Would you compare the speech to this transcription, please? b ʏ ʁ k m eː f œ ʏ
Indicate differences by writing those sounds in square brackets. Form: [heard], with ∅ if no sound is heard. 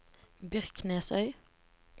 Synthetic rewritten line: b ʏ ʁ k [n] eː [s] œ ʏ